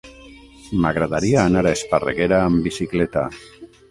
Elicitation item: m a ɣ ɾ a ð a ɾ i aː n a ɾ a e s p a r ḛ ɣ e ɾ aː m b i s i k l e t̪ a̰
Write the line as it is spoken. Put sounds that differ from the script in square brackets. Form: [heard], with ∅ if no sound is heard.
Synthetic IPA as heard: m a ɣ ɾ a ð a ɾ i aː n a ɾ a e s p a r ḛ ɣ e ɾ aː m b i s i k l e t̪ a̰